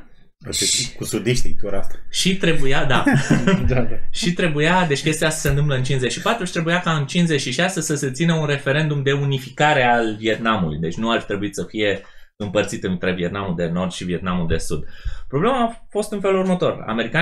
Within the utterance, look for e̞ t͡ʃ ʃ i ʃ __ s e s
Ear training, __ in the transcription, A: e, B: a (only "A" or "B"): B